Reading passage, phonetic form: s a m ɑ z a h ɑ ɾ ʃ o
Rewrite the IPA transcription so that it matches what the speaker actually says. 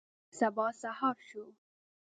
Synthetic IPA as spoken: s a b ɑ s a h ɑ ɾ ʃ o

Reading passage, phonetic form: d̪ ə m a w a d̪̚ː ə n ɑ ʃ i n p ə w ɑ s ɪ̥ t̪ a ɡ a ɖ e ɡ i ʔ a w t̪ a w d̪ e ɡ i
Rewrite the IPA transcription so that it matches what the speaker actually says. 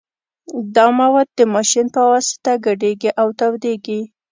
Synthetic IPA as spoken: d̪ ɑ m a w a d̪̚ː ə m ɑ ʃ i n p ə w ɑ s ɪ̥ t̪ a ɡ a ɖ e ɡ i ʔ a w t̪ a w d̪ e ɡ i

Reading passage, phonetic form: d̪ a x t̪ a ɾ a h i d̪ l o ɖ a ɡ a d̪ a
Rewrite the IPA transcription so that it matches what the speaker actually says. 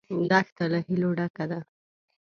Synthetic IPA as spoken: d̪ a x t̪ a l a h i l o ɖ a k a d̪ a

